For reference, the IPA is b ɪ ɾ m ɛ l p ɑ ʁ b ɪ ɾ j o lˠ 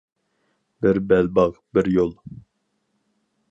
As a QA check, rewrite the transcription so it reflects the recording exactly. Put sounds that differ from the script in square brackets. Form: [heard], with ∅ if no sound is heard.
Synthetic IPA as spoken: b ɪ ɾ [b] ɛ l [b] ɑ ʁ b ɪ ɾ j o lˠ